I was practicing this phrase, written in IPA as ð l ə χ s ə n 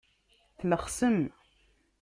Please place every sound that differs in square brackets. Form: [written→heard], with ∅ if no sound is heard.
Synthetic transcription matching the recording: [ð→θ] l ə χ s ə [n→m]